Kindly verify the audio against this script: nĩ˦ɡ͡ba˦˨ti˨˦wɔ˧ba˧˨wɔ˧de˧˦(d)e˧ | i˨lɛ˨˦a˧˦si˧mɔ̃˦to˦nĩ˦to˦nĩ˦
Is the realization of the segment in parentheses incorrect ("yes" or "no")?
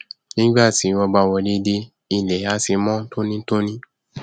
no